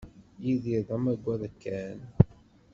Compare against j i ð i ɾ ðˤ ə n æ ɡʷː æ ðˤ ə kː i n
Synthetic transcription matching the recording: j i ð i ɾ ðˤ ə m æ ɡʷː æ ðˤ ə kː æ n